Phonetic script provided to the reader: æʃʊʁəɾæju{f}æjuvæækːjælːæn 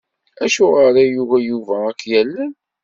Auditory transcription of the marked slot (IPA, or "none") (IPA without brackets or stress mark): v